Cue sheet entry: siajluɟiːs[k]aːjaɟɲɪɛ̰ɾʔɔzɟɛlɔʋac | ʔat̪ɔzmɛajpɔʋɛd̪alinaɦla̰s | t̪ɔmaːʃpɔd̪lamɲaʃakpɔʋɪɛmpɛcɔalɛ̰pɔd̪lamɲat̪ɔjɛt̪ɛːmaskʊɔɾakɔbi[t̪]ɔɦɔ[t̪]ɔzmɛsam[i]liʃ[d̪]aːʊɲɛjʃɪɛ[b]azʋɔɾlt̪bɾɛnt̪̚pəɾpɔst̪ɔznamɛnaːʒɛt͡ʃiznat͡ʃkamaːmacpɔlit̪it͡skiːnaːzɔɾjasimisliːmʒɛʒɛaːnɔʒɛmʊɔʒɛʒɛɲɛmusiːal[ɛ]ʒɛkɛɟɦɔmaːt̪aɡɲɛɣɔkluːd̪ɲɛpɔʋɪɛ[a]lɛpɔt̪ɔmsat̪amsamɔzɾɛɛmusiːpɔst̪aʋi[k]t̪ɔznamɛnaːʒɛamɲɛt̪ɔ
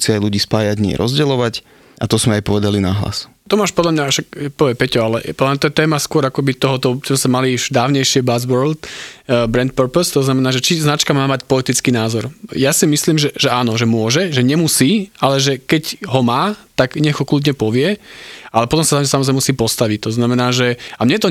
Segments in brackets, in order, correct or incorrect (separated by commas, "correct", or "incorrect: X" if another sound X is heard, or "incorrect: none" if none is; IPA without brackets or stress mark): incorrect: p, correct, correct, incorrect: a, correct, correct, correct, correct, incorrect: c